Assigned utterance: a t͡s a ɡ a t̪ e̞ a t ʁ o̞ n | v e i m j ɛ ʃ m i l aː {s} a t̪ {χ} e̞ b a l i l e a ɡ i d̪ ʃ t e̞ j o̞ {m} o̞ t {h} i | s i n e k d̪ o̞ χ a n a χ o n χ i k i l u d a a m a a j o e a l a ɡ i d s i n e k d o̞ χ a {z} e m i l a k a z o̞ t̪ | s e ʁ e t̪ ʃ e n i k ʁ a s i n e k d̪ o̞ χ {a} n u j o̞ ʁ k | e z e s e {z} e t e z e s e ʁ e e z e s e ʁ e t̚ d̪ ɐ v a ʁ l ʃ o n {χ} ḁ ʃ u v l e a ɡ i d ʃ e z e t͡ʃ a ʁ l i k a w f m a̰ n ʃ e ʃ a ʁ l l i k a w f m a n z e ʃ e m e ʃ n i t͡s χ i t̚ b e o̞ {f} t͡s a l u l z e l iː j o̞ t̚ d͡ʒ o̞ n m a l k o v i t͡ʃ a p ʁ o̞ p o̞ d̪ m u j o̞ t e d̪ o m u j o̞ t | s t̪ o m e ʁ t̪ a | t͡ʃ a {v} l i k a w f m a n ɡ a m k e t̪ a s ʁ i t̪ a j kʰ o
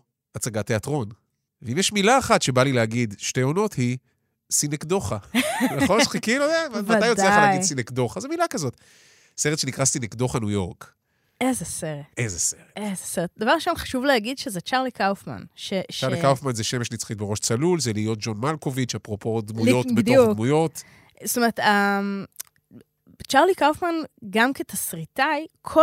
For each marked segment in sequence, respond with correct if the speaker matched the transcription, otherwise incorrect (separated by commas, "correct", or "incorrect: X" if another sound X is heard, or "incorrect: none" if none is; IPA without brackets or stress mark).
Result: incorrect: χ, incorrect: ʃ, incorrect: n, correct, correct, correct, incorrect: ʁ, correct, incorrect: ʃ, incorrect: ʁ